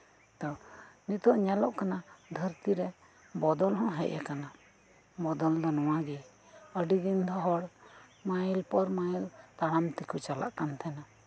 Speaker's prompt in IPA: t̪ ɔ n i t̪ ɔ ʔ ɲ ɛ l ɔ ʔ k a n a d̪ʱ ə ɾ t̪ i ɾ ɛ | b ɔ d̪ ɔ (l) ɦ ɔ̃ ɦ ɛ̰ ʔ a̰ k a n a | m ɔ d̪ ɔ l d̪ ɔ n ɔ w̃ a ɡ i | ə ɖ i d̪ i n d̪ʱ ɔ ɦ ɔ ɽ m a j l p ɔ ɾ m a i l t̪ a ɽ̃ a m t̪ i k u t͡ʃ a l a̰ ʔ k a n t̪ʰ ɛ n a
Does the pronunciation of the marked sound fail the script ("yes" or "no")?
no